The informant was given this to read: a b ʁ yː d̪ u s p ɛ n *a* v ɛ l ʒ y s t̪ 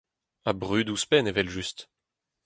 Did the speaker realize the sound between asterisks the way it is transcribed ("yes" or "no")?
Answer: no